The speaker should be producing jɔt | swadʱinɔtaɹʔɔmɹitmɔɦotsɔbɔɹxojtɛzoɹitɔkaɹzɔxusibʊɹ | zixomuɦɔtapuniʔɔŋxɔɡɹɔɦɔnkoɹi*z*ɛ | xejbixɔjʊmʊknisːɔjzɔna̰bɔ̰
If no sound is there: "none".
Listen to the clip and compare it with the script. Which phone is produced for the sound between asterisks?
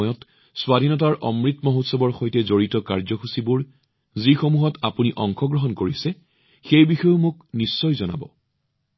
s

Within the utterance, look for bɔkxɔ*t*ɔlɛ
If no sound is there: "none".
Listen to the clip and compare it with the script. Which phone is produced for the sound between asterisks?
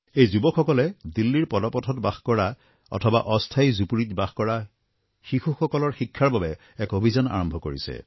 k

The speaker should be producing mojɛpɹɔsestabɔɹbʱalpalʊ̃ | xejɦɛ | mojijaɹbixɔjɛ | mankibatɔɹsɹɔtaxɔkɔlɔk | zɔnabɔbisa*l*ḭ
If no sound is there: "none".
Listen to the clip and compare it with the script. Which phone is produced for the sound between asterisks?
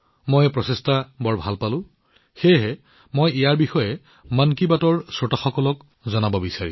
ɹ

